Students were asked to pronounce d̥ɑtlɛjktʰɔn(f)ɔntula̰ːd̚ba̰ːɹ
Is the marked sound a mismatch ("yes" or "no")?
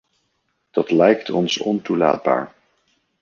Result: yes